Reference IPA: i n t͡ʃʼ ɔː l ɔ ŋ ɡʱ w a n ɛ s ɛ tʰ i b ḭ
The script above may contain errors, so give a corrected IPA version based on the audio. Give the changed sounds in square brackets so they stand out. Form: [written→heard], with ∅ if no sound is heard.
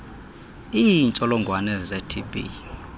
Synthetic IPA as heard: i n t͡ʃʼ [ɔː→ɔ] l ɔ ŋ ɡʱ w a n ɛ [s→z] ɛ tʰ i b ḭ